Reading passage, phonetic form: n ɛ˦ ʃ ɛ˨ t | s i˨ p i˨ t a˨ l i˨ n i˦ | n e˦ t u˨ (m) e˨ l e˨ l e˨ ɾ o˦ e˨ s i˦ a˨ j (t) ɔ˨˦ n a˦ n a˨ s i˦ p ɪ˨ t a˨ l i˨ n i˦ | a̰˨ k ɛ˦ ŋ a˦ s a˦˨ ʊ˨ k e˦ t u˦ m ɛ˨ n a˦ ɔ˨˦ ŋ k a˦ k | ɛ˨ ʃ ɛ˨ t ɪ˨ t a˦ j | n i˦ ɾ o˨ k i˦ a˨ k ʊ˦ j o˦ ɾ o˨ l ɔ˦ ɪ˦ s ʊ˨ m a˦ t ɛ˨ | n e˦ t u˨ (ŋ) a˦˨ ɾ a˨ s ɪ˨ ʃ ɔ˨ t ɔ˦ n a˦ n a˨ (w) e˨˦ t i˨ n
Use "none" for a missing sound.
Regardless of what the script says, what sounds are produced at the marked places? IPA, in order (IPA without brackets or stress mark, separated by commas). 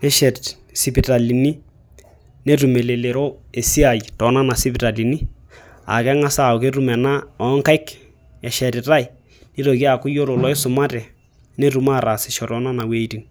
m, t, m, w